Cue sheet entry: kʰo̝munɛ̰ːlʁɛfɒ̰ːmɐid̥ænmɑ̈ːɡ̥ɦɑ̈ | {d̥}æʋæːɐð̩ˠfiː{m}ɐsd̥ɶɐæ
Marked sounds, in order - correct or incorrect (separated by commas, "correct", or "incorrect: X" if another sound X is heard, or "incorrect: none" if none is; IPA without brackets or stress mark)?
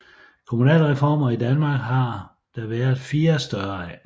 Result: correct, incorrect: none